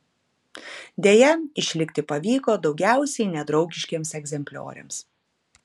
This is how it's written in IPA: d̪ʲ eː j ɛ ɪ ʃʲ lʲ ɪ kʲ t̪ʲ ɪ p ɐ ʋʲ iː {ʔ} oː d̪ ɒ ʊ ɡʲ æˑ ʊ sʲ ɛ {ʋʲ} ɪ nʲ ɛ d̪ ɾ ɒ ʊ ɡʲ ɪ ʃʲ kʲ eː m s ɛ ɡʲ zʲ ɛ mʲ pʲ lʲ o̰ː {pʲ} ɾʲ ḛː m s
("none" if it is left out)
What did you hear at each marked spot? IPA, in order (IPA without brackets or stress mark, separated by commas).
k, none, none